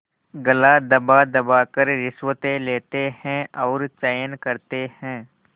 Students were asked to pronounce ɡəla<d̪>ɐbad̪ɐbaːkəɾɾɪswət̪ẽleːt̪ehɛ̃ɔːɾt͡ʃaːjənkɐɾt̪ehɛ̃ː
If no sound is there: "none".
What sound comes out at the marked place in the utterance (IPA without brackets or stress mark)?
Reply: d̪